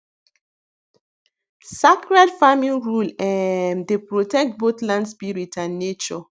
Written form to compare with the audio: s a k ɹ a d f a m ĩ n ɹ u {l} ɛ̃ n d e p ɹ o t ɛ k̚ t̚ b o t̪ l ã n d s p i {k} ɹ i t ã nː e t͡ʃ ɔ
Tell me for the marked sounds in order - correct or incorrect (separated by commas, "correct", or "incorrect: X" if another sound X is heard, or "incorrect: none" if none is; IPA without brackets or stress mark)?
correct, incorrect: none